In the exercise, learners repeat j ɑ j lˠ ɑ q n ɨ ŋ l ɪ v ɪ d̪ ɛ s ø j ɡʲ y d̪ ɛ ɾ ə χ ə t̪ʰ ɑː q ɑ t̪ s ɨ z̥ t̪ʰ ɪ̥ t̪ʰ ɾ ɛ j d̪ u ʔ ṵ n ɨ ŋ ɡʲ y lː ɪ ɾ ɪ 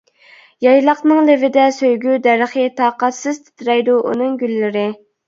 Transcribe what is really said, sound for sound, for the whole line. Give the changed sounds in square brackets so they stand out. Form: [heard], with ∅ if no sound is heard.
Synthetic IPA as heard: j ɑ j lˠ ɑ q n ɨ ŋ l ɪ v ɪ d̪ ɛ s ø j ɡʲ y d̪ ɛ ɾ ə χ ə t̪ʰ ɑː q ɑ t̪ s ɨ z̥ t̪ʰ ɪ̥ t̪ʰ ɾ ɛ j d̪ u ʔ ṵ n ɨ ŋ ɡʲ y lː ɪ ɾ ɪ